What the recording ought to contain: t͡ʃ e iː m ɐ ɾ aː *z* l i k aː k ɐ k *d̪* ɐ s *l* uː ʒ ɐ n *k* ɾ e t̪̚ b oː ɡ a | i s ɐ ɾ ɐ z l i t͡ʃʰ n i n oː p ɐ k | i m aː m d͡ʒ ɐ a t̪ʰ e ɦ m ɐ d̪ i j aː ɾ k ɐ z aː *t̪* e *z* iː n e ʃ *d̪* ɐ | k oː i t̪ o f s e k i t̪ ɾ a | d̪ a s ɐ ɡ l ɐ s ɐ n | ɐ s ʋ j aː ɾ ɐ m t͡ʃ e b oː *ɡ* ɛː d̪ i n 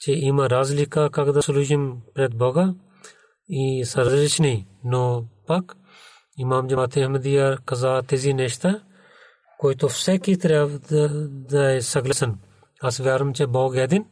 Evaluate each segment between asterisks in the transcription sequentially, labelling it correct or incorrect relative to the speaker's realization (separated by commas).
correct, correct, correct, incorrect, correct, correct, incorrect, correct